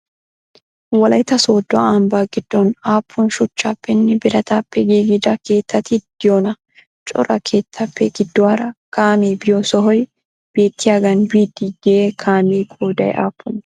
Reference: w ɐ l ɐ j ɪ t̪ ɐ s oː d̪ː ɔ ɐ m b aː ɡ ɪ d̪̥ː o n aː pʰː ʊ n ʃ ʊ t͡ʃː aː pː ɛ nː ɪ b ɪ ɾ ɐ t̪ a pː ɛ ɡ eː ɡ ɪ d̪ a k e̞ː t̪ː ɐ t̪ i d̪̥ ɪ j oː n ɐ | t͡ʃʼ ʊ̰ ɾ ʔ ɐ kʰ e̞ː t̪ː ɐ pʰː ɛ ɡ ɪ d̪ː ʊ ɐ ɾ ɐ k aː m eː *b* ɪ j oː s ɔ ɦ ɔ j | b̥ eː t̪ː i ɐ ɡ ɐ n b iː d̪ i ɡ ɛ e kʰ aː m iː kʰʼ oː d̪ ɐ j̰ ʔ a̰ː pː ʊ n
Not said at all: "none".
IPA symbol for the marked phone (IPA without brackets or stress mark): b